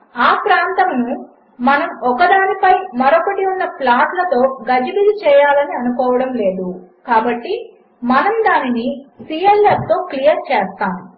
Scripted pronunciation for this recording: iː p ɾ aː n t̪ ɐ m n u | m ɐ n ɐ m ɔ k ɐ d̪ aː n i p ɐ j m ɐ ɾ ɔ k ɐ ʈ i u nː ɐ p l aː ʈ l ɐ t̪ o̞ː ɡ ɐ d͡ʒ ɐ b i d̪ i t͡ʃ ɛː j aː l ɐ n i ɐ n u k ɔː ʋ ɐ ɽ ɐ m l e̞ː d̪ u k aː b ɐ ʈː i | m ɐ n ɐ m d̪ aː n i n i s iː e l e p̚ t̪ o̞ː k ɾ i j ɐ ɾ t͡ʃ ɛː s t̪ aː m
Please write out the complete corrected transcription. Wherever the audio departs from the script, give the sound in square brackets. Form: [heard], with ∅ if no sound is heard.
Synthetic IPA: [aː] p ɾ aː n t̪ ɐ m n u | m ɐ n ɐ m ɔ k ɐ d̪ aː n i p ɐ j m ɐ ɾ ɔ k ɐ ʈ i u nː ɐ p l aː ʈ l ɐ t̪ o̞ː ɡ ɐ d͡ʒ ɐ b i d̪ i t͡ʃ ɛː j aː l ɐ n i ɐ n u k ɔː ʋ ɐ ɽ ɐ m l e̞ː d̪ u k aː b ɐ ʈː i | m ɐ n ɐ m d̪ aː n i n i s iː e l e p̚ t̪ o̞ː k [l] i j ɐ ɾ t͡ʃ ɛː s t̪ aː m

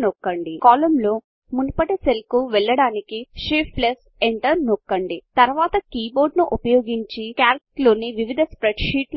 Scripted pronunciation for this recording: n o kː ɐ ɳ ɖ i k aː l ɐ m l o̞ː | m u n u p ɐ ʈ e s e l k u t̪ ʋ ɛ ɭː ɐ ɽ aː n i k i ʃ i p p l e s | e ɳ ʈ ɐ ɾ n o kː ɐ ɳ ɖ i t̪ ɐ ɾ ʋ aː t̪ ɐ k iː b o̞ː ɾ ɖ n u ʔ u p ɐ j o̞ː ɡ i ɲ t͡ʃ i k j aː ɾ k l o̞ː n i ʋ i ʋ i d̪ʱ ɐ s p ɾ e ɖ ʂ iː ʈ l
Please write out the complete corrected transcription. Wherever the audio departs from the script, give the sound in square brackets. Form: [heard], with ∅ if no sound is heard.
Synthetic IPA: n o kː ɐ ɳ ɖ i k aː l ɐ m l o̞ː | m u n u p ɐ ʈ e s e l k u [∅] ʋ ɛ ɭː ɐ ɽ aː n i k i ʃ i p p l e s | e ɳ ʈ ɐ ɾ n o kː ɐ ɳ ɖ i t̪ ɐ ɾ ʋ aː t̪ ɐ k iː b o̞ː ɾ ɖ n u ʔ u p ɐ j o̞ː ɡ i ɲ t͡ʃ i k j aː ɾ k l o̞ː n i ʋ i ʋ i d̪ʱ ɐ s p ɾ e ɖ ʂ iː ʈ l

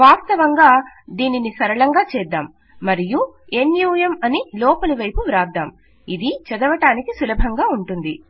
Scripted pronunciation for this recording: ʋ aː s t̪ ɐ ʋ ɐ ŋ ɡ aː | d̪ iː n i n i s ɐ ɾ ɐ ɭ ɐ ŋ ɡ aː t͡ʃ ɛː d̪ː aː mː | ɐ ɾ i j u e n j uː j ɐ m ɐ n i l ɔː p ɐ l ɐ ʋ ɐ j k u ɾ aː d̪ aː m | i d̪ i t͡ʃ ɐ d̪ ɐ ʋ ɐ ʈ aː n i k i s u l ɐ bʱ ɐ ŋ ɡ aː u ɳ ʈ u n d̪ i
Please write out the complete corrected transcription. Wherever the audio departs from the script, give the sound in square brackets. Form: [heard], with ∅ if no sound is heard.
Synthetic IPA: ʋ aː s t̪ ɐ ʋ ɐ ŋ ɡ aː | d̪ iː n i n i s ɐ ɾ ɐ ɭ ɐ ŋ ɡ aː t͡ʃ ɛː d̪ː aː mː | ɐ ɾ i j u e n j uː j ɐ m ɐ n i l ɔː p ɐ l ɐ ʋ ɐ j [p] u ɾ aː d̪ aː m | i d̪ i t͡ʃ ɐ d̪ ɐ ʋ ɐ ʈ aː n i k i s u l ɐ bʱ ɐ ŋ ɡ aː u ɳ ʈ u n d̪ i

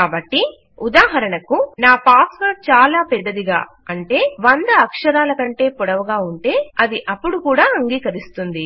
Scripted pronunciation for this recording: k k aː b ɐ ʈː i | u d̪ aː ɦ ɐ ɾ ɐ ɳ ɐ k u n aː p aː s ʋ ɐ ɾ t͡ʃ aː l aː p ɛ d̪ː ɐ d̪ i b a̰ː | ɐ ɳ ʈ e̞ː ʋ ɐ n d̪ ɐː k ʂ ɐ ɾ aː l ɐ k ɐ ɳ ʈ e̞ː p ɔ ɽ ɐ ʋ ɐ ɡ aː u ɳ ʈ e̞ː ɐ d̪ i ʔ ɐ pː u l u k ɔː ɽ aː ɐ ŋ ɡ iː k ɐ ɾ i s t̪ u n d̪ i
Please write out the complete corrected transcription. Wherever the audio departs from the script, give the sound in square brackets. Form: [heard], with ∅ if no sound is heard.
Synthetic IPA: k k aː b ɐ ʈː i | u d̪ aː ɦ ɐ ɾ ɐ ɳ ɐ k u n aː p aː s ʋ ɐ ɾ t͡ʃ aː l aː p ɛ d̪ː ɐ d̪ i [ɡ] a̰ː | ɐ ɳ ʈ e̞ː ʋ ɐ n d̪ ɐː k ʂ ɐ ɾ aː l ɐ k ɐ ɳ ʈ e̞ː p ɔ ɽ ɐ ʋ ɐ ɡ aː u ɳ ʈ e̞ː ɐ d̪ i ʔ ɐ pː u [ɽ] u k [uː] ɽ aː ɐ ŋ ɡ iː k ɐ ɾ i s t̪ u n d̪ i

